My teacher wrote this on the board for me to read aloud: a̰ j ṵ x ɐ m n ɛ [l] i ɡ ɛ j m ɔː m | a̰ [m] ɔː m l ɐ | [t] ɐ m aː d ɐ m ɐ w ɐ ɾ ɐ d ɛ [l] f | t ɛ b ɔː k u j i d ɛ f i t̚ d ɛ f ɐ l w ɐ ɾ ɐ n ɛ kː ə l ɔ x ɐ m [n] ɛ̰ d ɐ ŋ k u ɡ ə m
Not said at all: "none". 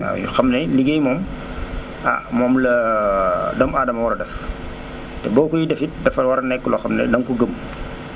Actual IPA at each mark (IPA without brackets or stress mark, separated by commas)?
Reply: l, m, d, none, n